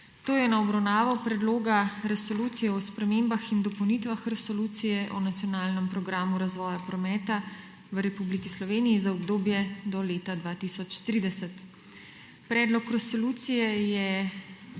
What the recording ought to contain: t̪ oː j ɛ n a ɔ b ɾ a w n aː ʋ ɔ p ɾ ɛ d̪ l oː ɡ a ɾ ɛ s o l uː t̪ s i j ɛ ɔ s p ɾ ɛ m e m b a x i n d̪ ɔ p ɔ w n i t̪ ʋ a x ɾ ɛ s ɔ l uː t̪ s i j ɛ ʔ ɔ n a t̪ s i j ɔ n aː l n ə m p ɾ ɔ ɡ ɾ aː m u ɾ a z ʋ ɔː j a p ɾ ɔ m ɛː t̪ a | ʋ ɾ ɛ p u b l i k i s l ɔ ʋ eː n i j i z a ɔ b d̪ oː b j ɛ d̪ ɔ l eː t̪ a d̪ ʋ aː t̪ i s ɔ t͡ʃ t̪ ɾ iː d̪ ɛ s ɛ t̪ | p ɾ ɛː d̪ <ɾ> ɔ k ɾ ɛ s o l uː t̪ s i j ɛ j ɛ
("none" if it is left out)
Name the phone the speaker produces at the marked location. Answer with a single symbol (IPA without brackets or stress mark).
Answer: l